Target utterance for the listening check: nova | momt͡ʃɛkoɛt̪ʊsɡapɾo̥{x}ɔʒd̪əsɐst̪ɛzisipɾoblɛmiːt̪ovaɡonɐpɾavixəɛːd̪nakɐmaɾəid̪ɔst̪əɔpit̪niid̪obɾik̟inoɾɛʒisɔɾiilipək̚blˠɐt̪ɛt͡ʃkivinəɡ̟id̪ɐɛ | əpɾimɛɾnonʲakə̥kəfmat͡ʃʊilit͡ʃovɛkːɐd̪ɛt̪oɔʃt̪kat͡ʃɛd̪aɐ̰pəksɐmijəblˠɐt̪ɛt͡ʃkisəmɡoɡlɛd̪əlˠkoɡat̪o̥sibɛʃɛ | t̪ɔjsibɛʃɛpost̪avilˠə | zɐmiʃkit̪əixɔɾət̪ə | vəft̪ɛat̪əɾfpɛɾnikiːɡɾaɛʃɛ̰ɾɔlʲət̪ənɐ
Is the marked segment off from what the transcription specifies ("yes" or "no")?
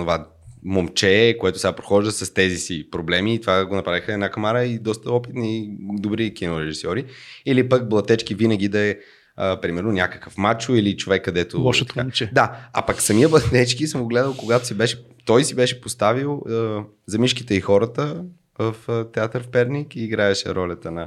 no